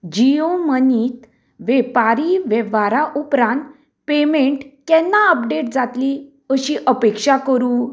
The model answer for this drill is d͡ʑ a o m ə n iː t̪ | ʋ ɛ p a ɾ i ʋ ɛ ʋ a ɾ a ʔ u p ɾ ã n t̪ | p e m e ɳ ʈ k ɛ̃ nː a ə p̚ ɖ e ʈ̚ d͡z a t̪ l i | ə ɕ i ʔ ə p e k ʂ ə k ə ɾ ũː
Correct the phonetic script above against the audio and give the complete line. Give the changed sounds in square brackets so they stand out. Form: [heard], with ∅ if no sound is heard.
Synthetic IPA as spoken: d͡ʑ [i] o m ə n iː t̪ | ʋ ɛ p a ɾ i ʋ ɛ ʋ a ɾ a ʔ u p ɾ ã n t̪ | p e m e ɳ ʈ k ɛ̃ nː a ə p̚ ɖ e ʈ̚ d͡z a t̪ l i | ə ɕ i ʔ ə p e k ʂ [a] k ə ɾ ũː